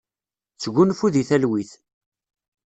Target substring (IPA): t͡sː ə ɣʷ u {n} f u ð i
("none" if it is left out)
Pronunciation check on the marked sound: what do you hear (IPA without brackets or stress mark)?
n